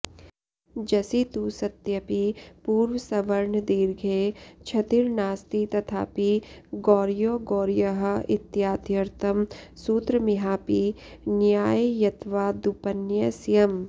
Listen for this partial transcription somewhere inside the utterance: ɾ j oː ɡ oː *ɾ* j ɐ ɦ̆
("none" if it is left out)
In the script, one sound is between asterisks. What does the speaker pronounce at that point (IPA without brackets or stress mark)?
ɾ